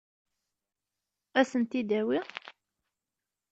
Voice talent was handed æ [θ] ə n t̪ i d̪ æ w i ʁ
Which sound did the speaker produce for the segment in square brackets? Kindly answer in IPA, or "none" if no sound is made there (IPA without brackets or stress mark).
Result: s